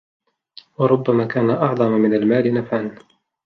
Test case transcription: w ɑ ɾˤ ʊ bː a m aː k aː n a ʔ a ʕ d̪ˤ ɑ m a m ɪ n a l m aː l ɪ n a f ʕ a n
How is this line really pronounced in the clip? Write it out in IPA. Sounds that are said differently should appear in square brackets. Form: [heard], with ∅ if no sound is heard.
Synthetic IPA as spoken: w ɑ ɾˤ ʊ bː a m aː k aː n a ʔ [ɑ] ʕ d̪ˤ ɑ m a m ɪ n a l m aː l ɪ n a f ʕ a n